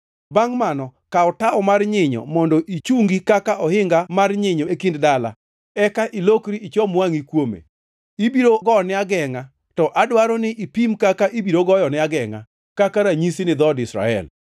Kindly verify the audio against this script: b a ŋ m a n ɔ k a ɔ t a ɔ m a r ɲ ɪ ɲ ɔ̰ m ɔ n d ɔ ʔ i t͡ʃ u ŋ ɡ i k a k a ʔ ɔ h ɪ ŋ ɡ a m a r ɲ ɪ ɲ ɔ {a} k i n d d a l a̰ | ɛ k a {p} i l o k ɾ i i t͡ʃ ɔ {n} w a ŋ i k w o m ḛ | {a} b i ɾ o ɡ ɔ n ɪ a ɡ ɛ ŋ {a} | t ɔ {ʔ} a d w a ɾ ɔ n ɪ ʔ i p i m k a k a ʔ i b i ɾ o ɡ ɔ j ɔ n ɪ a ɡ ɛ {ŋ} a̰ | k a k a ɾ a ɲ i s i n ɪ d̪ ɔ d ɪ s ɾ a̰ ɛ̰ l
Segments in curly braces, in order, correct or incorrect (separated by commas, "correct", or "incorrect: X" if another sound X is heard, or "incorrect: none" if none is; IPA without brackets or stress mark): incorrect: e, incorrect: ʔ, incorrect: m, incorrect: i, correct, correct, correct